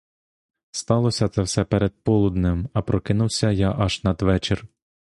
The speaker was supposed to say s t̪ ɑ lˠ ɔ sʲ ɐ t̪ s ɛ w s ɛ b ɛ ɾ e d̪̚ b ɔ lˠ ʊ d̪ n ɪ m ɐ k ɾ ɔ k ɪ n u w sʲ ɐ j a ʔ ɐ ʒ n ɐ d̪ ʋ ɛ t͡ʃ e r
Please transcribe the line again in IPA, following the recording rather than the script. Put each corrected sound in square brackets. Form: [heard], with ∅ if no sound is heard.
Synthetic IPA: s t̪ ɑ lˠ ɔ sʲ ɐ t̪ s ɛ w s ɛ [p] ɛ ɾ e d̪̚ [p] ɔ lˠ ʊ d̪ n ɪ m ɐ [p] ɾ ɔ k ɪ n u w sʲ ɐ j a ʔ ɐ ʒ n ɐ d̪ ʋ ɛ t͡ʃ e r